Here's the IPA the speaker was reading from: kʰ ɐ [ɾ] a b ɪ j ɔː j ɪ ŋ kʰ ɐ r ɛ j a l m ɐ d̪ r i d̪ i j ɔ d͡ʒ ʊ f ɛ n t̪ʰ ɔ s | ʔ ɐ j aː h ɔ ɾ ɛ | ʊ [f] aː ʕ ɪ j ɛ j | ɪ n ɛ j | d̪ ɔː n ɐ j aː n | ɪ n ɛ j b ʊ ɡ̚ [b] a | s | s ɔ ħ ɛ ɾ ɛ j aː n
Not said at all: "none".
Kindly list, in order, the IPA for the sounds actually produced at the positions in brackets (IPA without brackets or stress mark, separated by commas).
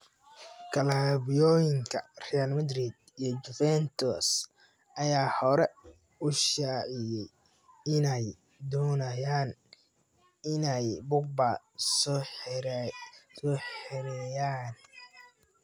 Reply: l, ʃ, b